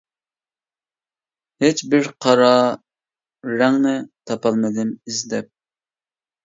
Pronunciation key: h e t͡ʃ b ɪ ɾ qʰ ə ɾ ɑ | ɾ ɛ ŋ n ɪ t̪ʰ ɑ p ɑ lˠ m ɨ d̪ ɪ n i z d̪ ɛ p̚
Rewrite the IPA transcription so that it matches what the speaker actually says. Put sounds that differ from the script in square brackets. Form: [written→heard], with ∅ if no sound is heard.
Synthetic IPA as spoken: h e t͡ʃ b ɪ ɾ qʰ [ə→ɑ] ɾ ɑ | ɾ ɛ ŋ n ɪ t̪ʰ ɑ p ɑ lˠ m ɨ d̪ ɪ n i z d̪ ɛ p̚